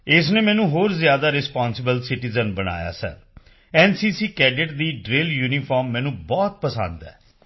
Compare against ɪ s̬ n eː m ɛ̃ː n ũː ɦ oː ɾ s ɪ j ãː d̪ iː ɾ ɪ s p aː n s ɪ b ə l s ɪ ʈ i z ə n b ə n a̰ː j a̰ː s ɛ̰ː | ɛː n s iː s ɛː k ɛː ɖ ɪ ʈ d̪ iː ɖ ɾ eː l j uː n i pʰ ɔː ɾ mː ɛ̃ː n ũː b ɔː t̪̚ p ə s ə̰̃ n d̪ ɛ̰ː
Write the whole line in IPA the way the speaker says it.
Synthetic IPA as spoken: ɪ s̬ n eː m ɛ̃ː n ũː ɦ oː ɾ z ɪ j aː d̪ aː ɾ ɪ s p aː n s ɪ b ə l s ɪ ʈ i z ə n b ə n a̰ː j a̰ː s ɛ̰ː | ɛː n s iː s iː k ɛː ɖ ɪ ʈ d̪ iː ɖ ɾ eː l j uː n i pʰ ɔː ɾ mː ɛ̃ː n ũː b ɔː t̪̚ p ə s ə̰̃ n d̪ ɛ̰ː